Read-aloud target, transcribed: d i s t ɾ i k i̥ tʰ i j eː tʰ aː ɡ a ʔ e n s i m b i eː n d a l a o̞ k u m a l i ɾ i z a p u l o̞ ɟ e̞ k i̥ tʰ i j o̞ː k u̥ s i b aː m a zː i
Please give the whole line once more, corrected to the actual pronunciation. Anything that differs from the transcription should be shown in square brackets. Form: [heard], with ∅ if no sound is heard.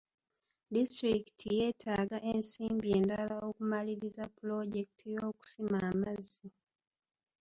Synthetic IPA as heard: d i s t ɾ i k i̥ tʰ i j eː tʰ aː ɡ a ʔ e n s [iː] m b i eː n d a l a o̞ k u m a l i ɾ i z a p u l o̞ ɟ e̞ k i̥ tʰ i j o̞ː k u̥ s i [m] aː m a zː i